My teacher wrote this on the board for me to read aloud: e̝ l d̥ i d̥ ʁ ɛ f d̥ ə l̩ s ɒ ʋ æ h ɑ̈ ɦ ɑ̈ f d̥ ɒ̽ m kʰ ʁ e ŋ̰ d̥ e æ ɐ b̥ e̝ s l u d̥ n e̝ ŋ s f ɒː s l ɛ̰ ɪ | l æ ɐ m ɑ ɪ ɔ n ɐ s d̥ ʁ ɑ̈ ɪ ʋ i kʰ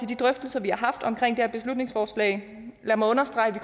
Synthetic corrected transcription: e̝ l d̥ i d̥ ʁ œ f d̥ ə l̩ s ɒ ʋ i h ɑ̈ ɦ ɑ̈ f d̥ ɒ̽ m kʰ ʁ e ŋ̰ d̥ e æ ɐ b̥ e̝ s l u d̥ n e̝ ŋ s f ɒː s l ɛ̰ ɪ | l æ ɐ m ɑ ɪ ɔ n ɐ s d̥ ʁ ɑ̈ ɪ ʋ i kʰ